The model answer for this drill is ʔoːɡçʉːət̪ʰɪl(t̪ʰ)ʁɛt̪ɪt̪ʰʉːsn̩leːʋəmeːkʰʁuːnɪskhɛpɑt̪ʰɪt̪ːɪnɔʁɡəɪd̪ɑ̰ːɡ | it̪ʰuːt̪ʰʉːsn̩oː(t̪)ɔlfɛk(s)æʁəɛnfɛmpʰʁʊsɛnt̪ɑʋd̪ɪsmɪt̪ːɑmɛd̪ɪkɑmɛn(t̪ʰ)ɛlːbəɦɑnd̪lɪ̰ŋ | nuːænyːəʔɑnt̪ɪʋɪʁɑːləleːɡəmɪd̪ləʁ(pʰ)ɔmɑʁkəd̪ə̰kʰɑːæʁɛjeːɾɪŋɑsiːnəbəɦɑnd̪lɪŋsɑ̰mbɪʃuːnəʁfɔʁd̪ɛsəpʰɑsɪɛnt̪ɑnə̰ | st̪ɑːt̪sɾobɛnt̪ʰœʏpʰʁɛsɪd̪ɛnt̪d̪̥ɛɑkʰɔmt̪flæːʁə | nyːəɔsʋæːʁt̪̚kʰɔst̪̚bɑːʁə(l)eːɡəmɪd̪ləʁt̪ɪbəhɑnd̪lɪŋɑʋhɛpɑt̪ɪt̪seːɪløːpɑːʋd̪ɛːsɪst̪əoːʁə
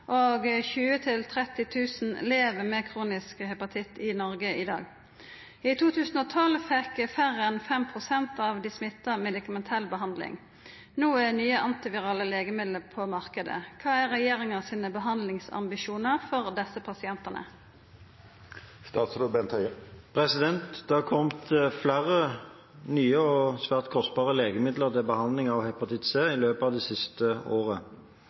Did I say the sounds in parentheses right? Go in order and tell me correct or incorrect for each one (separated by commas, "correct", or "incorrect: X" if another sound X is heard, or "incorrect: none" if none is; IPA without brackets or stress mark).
correct, incorrect: t̪ʰ, incorrect: f, correct, correct, correct